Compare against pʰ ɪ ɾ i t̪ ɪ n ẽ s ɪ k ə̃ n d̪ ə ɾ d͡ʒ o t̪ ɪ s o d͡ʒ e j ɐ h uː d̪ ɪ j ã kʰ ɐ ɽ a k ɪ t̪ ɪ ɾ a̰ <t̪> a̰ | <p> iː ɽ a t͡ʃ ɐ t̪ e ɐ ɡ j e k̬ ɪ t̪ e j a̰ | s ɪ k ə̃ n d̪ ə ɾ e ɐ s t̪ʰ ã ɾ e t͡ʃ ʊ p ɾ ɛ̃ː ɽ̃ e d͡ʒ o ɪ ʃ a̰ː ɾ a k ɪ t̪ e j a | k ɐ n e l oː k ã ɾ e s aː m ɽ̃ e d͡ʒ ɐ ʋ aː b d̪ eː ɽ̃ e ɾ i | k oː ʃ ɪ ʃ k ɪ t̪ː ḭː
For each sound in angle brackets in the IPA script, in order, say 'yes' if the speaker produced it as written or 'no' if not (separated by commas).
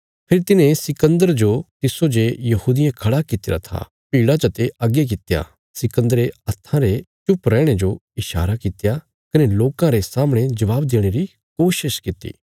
no, yes